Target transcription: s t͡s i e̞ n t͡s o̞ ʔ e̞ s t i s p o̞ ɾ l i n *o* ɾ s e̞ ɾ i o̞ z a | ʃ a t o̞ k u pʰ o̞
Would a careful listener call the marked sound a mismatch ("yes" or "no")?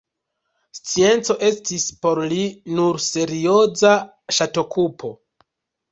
yes